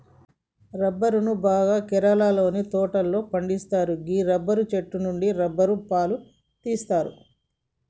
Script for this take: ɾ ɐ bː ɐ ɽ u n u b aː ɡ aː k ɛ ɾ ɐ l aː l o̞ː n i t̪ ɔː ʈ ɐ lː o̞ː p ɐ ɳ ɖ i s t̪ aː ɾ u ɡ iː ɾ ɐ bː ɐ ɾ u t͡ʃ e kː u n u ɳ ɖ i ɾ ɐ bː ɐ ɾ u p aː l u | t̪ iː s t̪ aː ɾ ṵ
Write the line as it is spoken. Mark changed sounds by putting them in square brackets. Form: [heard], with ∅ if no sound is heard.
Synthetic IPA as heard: ɾ ɐ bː ɐ [ɾ] u n u b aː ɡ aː k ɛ ɾ ɐ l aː l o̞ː n i t̪ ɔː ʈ ɐ lː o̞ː p ɐ ɳ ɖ i s t̪ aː ɾ u ɡ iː ɾ ɐ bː ɐ ɾ u t͡ʃ e [ʈː] u n u ɳ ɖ i ɾ ɐ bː ɐ ɾ u p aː l u | t̪ iː s t̪ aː ɾ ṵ